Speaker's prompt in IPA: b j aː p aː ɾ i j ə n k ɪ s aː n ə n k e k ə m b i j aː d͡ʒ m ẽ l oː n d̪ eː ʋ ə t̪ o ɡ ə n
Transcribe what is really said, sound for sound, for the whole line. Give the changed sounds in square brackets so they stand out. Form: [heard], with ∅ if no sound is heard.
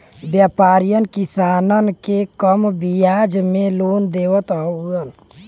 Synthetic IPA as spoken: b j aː p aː ɾ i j ə n k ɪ s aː n ə n k e k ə m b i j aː d͡ʒ m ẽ l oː n d̪ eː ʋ ə t̪ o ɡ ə n